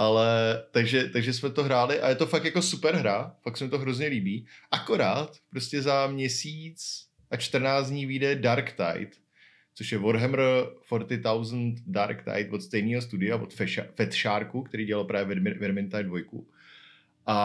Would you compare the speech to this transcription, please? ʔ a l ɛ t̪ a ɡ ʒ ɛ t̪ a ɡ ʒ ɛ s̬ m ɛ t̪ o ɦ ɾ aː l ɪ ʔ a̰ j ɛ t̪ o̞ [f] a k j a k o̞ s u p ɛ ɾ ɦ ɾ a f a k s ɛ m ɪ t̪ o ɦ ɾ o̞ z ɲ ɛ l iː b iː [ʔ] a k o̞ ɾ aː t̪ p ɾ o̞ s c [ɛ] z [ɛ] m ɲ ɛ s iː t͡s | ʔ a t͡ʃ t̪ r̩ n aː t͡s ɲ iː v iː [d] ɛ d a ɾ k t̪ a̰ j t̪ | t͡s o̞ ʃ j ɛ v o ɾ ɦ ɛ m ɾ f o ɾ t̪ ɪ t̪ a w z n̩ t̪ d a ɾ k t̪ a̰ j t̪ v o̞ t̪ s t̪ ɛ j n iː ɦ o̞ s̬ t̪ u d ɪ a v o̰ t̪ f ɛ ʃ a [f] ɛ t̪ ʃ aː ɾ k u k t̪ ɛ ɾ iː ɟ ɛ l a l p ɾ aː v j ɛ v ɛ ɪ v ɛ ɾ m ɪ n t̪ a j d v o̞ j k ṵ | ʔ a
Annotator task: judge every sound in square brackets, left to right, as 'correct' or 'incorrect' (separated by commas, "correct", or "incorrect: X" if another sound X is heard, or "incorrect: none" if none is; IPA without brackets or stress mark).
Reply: correct, correct, correct, incorrect: a, correct, correct